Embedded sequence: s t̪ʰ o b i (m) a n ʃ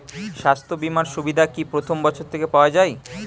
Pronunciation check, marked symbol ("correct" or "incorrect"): correct